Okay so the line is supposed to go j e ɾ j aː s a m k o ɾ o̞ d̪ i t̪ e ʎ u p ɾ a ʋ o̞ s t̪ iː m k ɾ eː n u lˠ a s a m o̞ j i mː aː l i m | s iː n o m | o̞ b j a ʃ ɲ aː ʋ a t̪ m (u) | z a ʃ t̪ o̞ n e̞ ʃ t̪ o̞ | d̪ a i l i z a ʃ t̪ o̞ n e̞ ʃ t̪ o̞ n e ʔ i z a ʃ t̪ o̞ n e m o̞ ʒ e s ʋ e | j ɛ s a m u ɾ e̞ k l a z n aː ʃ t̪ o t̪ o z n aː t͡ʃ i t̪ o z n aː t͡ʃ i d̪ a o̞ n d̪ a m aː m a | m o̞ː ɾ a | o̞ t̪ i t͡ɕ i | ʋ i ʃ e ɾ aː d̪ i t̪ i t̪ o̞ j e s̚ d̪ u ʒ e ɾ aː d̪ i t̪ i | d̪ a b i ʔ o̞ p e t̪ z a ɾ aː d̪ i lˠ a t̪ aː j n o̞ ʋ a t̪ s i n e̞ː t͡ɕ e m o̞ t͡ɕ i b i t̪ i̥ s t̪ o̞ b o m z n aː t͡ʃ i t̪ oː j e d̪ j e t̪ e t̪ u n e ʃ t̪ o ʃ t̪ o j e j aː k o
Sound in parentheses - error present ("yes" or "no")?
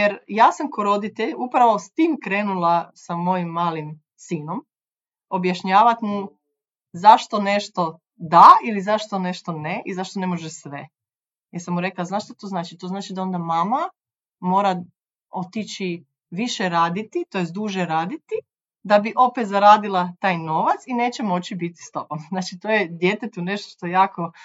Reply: no